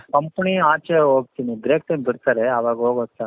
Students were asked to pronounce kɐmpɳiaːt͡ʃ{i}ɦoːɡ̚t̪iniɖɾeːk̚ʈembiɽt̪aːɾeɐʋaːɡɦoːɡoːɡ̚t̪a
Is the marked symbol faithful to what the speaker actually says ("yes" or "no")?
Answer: no